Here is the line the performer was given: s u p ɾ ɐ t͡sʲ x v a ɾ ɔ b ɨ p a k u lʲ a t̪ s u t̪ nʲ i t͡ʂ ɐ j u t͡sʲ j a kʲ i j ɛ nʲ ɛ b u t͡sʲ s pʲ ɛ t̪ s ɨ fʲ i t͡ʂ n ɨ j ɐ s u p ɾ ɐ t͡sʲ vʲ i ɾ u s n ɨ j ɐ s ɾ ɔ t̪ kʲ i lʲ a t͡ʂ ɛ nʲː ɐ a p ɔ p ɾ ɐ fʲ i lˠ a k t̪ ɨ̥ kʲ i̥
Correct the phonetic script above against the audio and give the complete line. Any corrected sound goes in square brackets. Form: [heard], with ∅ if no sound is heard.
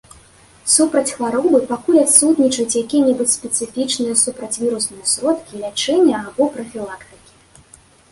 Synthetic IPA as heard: s u p ɾ ɐ t͡sʲ x v a ɾ ɔ b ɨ p a k u lʲ a t̪ s u t̪ nʲ i t͡ʂ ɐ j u t͡sʲ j a kʲ i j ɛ nʲ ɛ b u t͡sʲ s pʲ ɛ t̪ s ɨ fʲ i t͡ʂ n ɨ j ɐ s u p ɾ ɐ t͡sʲ vʲ i ɾ u s n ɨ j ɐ s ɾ ɔ t̪ kʲ i lʲ a t͡ʂ ɛ nʲː ɐ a [b] ɔ p ɾ ɐ fʲ i lˠ a k t̪ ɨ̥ kʲ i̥